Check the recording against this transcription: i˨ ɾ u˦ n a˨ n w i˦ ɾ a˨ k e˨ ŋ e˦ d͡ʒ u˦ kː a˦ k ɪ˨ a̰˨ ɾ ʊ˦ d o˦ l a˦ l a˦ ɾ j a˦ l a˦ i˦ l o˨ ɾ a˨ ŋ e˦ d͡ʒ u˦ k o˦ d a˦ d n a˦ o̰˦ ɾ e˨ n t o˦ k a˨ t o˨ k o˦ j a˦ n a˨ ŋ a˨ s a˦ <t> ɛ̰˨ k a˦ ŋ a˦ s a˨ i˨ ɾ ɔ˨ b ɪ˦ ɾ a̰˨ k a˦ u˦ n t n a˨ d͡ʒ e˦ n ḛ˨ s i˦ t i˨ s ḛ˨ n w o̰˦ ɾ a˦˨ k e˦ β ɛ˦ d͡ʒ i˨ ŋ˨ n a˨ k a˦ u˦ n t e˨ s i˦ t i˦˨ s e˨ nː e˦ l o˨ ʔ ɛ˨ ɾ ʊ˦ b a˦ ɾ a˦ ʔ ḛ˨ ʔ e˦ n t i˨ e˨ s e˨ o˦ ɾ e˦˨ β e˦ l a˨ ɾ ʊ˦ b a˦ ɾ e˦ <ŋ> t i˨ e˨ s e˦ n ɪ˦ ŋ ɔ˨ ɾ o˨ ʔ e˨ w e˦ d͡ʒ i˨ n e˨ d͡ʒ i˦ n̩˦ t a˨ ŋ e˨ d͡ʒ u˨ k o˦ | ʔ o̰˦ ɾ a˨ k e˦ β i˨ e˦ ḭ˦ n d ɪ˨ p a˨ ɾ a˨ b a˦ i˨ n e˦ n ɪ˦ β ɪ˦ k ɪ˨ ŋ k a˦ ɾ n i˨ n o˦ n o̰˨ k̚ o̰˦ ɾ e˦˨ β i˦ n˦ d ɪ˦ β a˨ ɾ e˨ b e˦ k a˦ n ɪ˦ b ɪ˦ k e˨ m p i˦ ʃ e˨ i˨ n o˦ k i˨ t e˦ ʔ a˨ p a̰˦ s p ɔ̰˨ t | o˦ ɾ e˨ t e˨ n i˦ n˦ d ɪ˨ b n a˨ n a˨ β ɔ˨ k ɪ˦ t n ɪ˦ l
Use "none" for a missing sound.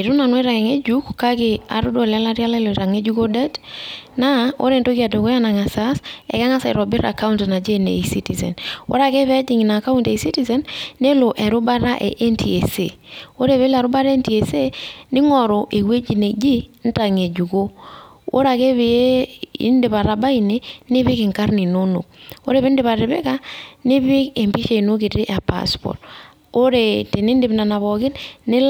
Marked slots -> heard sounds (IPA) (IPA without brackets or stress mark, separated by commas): s, n